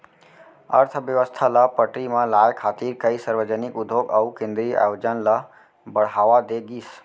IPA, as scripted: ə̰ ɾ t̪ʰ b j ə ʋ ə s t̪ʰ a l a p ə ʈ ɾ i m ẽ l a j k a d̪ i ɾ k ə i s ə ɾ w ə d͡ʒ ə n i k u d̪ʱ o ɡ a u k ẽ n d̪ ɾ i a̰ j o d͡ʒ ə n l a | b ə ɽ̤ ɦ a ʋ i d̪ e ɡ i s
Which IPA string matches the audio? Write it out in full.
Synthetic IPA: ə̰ ɾ t̪ʰ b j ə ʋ ə s t̪ʰ a l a p ə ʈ ɾ i m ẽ l a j kʰ a t̪ i ɾ k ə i s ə ɾ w ə d͡ʒ ə n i k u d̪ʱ o ɡ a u k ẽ n d̪ ɾ i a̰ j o d͡ʒ ə n l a | b ə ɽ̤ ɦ a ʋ a d̪ e ɡ i s